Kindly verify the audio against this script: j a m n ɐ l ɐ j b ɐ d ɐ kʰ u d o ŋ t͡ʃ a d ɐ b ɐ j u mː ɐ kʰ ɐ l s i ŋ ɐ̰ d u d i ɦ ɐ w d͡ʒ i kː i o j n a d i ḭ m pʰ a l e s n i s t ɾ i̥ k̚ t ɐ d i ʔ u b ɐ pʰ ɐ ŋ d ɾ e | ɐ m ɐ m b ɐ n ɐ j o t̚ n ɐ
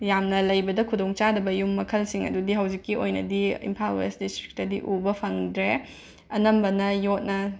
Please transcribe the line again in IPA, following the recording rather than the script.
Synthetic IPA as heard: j a m n ɐ l ɐ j b ɐ d ɐ kʰ u d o ŋ t͡ʃ a d ɐ b ɐ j u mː ɐ kʰ ɐ l s i ŋ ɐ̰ d u d i ɦ ɐ w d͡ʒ i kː i o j n ɐ d i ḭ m pʰ a l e s d i s t ɾ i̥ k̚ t ɐ d i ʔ u b ɐ pʰ ɐ ŋ d ɾ e | ɐ n ɐ m b ɐ n ɐ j o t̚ n ɐ